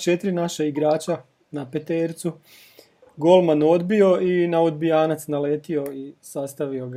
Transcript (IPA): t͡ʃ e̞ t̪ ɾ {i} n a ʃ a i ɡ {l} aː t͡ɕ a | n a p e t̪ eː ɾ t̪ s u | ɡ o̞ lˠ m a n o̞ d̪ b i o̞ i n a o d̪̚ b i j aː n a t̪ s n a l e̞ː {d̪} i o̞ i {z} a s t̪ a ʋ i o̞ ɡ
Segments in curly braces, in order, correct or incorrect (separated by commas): correct, incorrect, incorrect, incorrect